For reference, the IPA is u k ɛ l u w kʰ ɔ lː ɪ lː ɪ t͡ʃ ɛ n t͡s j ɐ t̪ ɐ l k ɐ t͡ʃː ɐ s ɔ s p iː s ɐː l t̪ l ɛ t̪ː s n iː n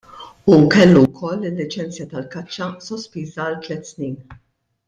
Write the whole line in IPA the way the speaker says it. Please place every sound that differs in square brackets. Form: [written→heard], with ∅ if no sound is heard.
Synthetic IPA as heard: u k ɛ [l→lː] u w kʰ ɔ lː ɪ lː ɪ t͡ʃ ɛ n t͡s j ɐ t̪ ɐ l k ɐ t͡ʃː ɐ s ɔ s p iː [s→z] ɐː l t̪ l ɛ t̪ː s n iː n